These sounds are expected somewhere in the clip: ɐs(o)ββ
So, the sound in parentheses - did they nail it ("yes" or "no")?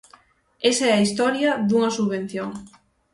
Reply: no